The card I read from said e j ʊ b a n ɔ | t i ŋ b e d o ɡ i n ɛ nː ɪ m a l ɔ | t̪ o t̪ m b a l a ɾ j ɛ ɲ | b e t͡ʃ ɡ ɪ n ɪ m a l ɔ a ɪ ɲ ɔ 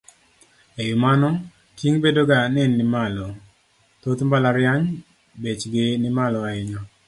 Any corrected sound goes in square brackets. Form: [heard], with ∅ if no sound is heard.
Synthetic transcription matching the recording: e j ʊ [m] a n ɔ | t i ŋ b e d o ɡ [a] n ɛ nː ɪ m a l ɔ | t̪ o t̪ m b a l a ɾ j [a] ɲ | b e t͡ʃ ɡ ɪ n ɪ m a l ɔ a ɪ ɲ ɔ